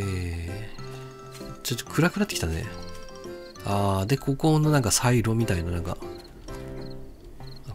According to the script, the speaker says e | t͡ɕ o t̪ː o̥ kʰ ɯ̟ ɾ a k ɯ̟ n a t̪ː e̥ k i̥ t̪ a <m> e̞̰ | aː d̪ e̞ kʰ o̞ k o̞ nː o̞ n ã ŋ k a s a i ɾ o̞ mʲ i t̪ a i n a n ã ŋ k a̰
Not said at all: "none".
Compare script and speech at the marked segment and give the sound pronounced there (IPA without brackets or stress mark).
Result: n